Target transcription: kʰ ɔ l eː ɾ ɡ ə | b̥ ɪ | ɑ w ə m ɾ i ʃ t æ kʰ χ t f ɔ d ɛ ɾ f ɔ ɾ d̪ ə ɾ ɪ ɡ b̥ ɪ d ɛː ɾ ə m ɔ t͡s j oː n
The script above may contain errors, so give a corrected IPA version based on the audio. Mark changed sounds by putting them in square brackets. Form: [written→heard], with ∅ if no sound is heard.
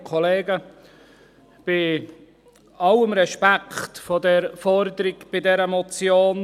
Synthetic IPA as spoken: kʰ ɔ l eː [ɾ→∅] ɡ ə | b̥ ɪ | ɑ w ə m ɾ [i→ɛ] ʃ [t→p] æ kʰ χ t f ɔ d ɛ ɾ f ɔ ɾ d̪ ə ɾ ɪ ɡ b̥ ɪ d [ɛː→ɛ] ɾ ə m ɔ t͡s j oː n